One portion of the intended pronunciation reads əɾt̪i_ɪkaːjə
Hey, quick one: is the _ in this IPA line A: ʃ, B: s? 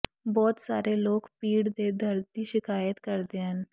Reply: A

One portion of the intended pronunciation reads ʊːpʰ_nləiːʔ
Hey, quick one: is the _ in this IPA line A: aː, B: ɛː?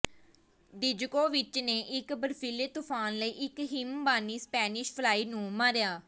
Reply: A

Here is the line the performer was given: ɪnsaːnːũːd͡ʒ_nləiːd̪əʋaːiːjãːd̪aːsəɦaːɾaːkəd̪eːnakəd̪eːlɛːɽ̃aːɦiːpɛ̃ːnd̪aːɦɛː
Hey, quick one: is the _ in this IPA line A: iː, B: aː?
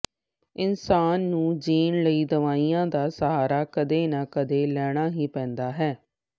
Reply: A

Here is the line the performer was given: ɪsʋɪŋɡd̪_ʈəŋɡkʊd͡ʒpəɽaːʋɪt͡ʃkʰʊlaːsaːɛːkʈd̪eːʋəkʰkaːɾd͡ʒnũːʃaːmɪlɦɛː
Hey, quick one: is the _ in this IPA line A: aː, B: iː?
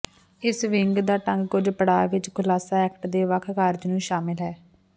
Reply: A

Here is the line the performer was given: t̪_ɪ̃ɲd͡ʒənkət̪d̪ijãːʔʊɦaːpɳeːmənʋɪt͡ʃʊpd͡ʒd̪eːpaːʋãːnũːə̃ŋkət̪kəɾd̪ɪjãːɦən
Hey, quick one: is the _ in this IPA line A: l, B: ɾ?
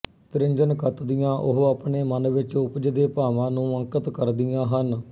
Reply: B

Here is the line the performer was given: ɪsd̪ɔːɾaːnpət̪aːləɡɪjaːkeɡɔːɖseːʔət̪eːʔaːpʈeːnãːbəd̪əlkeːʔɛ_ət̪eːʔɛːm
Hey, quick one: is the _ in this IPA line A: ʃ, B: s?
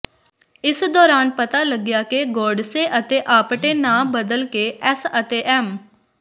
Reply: B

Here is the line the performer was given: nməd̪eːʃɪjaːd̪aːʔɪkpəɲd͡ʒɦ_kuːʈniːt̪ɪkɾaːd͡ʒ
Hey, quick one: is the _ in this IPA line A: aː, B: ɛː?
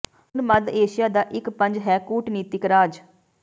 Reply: B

